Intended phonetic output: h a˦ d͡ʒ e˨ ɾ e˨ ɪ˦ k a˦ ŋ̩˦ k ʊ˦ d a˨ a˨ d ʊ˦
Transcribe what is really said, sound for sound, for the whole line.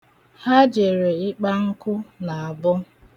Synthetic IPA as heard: h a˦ d͡ʒ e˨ ɾ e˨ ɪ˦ k͡p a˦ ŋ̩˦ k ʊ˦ n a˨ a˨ b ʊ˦